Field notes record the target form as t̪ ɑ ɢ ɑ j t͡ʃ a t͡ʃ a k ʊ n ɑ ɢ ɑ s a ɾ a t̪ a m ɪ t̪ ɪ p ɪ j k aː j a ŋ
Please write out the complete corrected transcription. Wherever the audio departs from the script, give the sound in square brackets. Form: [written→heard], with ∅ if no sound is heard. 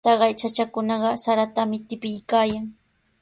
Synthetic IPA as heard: t̪ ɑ ɢ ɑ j t͡ʃ a t͡ʃ a k ʊ n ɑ ɢ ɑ s a ɾ a t̪ a m ɪ t̪ ɪ p ɪ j k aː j a ŋ

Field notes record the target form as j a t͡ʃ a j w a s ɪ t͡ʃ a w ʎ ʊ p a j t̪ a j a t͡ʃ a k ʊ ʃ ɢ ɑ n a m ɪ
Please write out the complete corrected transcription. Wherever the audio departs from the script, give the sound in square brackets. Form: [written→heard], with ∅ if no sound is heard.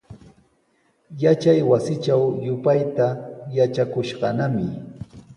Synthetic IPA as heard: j a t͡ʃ a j w a s ɪ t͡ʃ a w [ʎ→j] ʊ p a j t̪ a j a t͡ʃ a k ʊ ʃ ɢ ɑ n a m ɪ

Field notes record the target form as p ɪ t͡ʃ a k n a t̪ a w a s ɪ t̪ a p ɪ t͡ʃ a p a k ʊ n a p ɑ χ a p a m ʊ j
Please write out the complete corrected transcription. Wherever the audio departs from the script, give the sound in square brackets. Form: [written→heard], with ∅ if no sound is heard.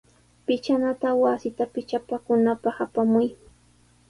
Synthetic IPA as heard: p ɪ t͡ʃ a [k→∅] n a t̪ a w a s ɪ t̪ a p ɪ t͡ʃ a p a k ʊ n a p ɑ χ a p a m ʊ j

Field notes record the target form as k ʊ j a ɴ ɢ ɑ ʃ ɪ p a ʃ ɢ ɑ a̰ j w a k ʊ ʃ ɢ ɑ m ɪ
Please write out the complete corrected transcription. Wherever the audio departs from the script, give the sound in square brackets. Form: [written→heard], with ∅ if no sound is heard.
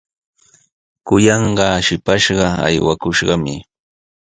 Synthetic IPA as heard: k ʊ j [a→ɑ] ɴ ɢ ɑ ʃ ɪ p a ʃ ɢ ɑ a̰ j w a k ʊ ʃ ɢ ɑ m ɪ

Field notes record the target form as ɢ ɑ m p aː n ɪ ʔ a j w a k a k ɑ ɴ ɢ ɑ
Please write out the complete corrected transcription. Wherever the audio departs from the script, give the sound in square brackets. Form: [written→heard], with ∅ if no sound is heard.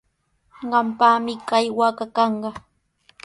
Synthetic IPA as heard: ɢ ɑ m p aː [n→m] ɪ [ʔ→k] a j w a k a k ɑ ɴ ɢ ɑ

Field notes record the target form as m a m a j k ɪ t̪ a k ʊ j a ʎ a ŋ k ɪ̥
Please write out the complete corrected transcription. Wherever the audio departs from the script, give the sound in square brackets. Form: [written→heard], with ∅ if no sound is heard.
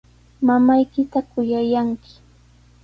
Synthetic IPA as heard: m a m a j k ɪ t̪ a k ʊ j a [ʎ→j] a ŋ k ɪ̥

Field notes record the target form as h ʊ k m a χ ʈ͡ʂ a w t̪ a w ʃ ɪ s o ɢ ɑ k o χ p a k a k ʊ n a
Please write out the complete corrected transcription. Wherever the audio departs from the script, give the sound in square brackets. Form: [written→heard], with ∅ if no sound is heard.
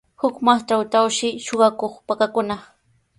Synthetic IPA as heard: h ʊ k m a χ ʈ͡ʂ a w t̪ a w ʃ ɪ [s→ʃ] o ɢ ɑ k o χ p a k a k ʊ n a

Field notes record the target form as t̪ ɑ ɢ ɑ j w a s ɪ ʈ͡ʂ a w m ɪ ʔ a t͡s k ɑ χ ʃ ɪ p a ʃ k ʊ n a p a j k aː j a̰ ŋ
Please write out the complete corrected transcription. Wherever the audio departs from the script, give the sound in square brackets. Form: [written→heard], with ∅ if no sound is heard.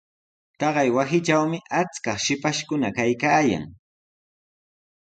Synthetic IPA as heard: t̪ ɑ ɢ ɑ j w a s ɪ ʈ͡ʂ a w m ɪ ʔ a t͡s k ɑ χ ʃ ɪ p a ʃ k ʊ n a [p→k] a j k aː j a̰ ŋ

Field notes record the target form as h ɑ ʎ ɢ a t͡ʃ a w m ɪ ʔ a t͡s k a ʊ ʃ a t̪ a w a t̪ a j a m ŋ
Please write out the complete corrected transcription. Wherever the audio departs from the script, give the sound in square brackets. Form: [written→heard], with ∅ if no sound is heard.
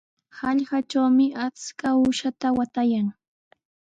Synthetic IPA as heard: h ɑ ʎ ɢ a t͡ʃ a w m ɪ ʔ a t͡s k a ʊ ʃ a t̪ a w a t̪ a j a [m→∅] ŋ

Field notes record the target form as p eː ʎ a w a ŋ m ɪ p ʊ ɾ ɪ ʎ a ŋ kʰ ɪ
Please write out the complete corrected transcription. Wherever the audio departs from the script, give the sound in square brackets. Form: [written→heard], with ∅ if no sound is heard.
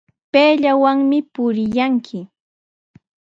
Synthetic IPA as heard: p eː ʎ a w a ŋ m ɪ p ʊ ɾ ɪ [ʎ→j] a ŋ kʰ ɪ

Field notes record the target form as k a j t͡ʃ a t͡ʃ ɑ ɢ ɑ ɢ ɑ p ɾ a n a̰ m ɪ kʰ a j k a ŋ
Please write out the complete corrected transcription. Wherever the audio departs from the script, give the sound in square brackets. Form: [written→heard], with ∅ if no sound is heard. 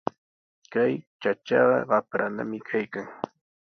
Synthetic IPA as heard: k a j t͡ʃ a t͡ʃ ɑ ɢ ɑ ɢ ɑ p ɾ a n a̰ m ɪ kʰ a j k a ŋ

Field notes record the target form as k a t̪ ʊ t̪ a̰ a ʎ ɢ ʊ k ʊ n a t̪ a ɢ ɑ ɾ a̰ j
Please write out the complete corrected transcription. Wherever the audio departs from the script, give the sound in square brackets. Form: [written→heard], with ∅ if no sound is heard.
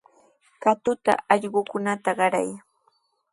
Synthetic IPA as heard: k a t̪ ʊ t̪ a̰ [a→ɑ] ʎ ɢ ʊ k ʊ n a t̪ a ɢ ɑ ɾ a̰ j

